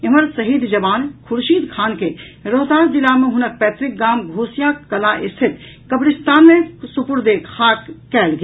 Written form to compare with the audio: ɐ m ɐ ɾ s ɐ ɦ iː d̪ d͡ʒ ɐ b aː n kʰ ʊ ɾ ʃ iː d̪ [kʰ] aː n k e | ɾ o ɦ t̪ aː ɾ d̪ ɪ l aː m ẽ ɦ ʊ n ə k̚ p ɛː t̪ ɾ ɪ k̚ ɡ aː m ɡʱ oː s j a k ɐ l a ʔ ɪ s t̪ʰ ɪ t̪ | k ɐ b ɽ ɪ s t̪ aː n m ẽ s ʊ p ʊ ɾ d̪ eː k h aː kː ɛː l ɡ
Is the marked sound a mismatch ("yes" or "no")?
no